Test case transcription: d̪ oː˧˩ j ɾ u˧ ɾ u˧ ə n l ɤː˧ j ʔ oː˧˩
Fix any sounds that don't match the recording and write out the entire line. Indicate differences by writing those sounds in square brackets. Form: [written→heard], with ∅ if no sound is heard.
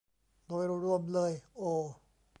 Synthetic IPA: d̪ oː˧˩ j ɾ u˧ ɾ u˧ ə [n→m] l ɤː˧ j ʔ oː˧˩